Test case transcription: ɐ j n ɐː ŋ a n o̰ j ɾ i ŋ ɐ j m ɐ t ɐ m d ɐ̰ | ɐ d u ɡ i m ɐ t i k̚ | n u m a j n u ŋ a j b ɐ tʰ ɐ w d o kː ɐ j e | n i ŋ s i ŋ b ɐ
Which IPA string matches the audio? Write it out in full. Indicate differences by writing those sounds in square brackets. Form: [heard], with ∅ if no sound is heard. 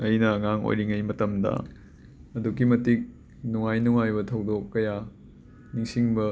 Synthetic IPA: ɐ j n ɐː ŋ a [ŋ] o̰ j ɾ i ŋ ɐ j m ɐ t ɐ m d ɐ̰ | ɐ d u ɡ i m ɐ t i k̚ | n u [ŋ] a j n u ŋ a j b ɐ tʰ ɐ w d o kː ɐ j [a] | n i ŋ s i ŋ b ɐ